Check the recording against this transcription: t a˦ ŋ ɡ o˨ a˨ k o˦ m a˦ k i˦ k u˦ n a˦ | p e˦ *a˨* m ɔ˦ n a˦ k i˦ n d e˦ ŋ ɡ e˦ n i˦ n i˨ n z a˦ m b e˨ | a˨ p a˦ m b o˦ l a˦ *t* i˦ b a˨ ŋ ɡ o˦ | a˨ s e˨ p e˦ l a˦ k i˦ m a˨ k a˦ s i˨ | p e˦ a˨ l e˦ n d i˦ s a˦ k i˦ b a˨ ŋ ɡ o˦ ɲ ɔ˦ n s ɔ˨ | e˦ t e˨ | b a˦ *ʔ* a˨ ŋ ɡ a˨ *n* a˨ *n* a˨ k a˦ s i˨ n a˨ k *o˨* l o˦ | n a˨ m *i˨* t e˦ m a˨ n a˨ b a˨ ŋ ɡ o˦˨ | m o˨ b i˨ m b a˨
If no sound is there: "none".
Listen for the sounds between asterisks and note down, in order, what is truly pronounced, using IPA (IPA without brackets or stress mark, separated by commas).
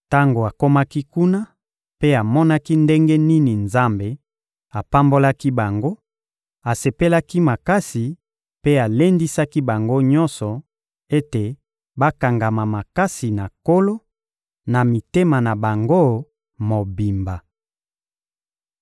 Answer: a˨, k, k, m, m, o˦, i˨